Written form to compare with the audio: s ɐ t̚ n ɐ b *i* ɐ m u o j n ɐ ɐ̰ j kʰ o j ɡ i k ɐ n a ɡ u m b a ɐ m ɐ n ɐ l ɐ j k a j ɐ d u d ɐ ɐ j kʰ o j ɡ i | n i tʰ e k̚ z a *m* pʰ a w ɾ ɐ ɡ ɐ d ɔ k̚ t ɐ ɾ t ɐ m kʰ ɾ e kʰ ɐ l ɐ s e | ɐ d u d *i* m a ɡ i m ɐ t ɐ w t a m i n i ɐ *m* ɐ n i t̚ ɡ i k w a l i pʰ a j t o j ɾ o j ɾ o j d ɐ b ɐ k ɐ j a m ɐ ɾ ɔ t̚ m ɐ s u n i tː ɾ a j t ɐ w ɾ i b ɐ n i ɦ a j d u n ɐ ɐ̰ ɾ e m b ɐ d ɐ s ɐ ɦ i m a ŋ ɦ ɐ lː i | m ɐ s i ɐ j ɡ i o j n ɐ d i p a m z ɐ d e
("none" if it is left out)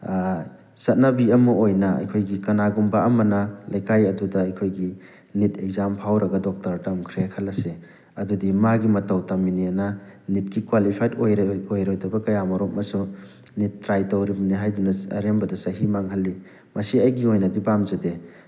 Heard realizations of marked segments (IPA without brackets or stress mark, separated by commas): i, m, i, n